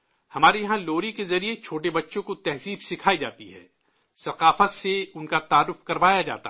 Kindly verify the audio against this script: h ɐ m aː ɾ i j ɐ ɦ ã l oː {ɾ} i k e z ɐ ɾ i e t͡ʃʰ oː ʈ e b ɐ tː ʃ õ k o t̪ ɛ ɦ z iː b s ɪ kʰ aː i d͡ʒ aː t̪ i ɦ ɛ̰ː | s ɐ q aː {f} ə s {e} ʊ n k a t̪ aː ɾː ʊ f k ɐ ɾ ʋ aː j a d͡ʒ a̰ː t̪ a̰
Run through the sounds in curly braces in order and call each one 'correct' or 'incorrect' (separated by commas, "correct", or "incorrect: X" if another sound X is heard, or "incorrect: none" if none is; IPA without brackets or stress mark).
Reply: correct, correct, correct